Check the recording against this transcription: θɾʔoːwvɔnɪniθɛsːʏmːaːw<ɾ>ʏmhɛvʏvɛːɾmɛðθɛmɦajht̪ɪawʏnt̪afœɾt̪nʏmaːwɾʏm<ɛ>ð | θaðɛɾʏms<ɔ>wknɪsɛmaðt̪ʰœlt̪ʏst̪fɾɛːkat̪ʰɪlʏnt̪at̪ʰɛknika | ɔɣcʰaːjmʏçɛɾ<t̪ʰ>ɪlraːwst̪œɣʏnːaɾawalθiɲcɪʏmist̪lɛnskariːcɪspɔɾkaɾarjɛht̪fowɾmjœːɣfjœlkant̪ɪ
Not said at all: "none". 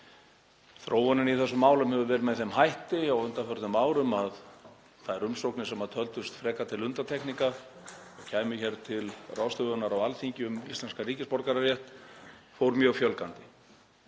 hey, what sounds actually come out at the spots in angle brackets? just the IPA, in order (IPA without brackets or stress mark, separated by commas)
l, a, o, t̪ʰ